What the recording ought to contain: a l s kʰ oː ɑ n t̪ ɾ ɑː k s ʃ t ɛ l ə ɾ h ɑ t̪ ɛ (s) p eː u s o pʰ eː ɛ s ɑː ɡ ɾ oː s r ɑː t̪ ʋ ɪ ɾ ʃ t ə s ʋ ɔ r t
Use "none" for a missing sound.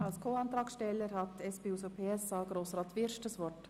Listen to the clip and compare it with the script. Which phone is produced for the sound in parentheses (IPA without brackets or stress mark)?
s